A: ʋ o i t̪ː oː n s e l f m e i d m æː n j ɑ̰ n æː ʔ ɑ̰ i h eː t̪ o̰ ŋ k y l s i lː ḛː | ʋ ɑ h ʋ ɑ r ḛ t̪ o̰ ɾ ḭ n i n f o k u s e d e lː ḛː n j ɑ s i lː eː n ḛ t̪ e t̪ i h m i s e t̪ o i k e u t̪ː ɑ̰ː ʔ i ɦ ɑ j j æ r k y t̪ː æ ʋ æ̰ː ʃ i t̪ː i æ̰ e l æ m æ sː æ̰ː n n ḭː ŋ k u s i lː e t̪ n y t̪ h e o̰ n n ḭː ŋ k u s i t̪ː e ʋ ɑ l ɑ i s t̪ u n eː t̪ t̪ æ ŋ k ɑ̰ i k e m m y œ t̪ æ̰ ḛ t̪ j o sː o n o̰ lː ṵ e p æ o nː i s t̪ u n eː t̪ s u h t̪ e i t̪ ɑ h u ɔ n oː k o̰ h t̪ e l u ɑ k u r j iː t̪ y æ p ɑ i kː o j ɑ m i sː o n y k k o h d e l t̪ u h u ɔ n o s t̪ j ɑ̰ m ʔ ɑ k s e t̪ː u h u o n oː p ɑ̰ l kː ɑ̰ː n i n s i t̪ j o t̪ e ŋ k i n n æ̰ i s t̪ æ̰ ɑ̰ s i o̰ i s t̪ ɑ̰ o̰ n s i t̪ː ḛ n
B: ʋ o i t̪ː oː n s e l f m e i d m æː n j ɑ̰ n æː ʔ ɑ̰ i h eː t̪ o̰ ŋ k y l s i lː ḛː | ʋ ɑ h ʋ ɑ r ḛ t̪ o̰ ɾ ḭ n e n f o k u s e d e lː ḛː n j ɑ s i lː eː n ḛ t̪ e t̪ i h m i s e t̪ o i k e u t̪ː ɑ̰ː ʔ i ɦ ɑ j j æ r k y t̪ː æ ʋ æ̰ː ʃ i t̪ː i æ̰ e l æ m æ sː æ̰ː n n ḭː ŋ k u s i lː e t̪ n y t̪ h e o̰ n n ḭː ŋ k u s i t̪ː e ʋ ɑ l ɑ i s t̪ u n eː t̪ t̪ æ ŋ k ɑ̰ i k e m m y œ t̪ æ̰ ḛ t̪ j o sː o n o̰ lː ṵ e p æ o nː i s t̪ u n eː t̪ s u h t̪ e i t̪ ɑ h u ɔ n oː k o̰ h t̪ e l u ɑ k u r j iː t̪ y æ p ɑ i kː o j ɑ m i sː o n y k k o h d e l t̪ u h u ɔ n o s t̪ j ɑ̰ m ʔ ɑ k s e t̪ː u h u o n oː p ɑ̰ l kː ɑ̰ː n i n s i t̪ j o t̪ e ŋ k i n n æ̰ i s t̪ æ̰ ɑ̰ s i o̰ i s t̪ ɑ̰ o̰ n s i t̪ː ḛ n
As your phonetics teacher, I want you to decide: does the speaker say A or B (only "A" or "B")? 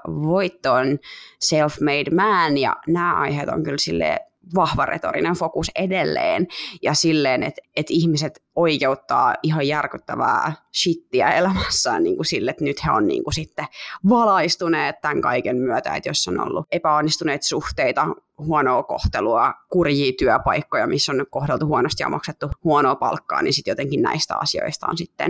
B